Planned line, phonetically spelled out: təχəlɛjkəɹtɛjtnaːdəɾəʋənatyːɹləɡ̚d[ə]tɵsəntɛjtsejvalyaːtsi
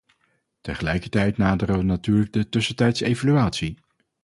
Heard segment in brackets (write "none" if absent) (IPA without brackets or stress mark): ə